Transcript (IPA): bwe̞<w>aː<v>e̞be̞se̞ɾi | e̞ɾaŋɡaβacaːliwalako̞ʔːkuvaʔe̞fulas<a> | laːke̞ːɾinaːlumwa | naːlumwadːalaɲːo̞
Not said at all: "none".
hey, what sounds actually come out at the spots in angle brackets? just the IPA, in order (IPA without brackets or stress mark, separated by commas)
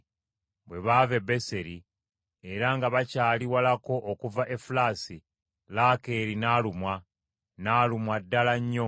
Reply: β, v, i